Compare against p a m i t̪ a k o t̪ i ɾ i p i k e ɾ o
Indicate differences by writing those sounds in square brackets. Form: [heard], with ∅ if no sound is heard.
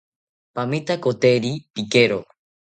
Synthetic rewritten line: p a m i t̪ a k o t̪ [e] ɾ i p i k e ɾ o